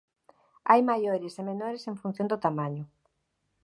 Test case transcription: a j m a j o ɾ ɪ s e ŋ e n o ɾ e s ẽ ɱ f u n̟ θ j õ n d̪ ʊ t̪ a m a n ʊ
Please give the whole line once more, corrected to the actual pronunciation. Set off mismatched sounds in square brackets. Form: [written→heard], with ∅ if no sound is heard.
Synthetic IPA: a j m a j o ɾ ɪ s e [ŋ→m] e n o ɾ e s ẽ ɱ f u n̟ θ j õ n d̪ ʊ t̪ a m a [n→ɲ] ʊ